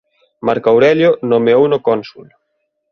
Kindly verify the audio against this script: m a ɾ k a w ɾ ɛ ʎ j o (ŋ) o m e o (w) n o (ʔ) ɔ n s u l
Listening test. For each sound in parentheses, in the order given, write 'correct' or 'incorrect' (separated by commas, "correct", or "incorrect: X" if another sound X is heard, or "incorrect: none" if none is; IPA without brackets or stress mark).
incorrect: n, correct, incorrect: k